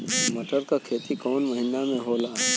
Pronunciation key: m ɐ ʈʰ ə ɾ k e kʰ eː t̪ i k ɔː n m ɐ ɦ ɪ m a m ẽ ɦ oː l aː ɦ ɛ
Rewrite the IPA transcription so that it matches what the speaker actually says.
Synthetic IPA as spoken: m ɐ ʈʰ ə ɾ k a kʰ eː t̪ i k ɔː n m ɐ ɦ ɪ n a m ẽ ɦ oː l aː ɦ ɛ